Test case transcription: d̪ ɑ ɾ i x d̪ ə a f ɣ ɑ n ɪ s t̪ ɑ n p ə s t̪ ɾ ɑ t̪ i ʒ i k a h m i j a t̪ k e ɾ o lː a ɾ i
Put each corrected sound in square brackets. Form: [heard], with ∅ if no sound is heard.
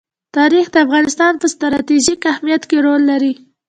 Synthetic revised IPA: [t̪] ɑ ɾ i x d̪ ə a f ɣ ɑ n ɪ s t̪ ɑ n p ə s t̪ ɾ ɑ t̪ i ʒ i k a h m i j a t̪ k e ɾ o lː a ɾ i